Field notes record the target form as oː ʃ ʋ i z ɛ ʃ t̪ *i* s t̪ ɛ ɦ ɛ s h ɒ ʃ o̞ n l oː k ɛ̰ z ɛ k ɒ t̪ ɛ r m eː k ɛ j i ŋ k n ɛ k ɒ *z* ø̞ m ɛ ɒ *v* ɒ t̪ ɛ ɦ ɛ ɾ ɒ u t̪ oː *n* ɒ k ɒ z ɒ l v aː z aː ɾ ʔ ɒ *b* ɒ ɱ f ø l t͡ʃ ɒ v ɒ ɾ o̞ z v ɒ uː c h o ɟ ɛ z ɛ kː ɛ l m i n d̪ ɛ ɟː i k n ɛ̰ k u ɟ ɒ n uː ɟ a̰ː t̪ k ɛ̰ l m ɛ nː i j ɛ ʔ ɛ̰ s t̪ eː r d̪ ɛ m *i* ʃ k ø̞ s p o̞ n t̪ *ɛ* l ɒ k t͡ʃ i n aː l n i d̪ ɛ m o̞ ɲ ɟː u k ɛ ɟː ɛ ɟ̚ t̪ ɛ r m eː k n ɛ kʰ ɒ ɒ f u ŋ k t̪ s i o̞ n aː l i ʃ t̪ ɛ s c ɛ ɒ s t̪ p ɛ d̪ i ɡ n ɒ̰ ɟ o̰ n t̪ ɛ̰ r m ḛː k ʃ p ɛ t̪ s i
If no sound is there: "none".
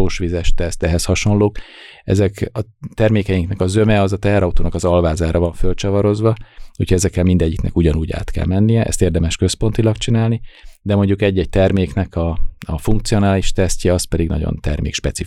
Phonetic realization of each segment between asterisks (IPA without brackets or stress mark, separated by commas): ɛ, z, z, n, v, ɛ, i